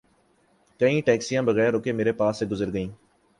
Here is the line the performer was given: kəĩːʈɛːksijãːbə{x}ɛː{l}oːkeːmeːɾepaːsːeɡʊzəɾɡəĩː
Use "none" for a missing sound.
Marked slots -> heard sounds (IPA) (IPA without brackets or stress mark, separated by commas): ɣ, ɾ